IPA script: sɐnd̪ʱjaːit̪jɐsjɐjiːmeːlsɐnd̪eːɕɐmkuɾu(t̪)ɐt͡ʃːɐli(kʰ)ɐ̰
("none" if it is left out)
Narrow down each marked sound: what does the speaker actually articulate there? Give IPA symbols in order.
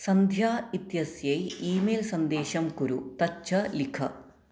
t̪, kʰ

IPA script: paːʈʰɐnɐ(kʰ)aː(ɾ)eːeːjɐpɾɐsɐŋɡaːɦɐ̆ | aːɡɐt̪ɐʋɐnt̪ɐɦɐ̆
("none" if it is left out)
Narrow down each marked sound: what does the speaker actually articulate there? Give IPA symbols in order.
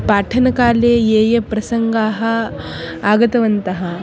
k, l

